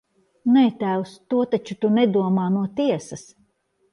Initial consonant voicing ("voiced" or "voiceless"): voiced